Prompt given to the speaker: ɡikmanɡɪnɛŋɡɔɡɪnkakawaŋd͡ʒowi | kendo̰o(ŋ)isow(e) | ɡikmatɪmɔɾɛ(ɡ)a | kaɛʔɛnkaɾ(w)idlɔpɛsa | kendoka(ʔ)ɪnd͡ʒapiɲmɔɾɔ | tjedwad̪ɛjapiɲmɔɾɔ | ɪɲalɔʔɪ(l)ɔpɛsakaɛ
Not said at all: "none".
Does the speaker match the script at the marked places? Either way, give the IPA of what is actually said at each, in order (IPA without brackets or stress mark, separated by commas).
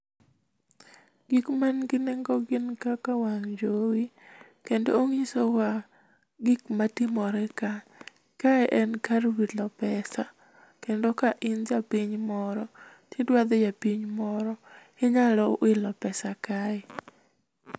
ŋ, a, k, w, ʔ, l